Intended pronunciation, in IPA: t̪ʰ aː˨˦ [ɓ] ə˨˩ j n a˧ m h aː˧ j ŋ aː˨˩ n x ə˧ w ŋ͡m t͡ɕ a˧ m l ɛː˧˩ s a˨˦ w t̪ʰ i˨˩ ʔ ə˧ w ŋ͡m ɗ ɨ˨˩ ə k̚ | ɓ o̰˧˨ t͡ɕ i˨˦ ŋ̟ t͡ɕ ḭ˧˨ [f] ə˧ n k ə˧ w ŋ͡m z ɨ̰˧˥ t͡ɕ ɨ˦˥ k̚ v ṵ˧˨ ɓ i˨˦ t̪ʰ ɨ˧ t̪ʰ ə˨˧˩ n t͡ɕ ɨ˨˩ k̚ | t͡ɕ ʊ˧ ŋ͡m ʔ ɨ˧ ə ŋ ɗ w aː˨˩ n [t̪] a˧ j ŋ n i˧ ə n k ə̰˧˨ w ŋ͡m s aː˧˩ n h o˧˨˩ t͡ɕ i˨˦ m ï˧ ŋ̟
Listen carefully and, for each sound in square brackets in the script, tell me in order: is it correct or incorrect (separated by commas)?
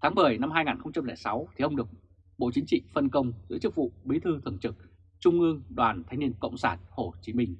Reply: correct, correct, incorrect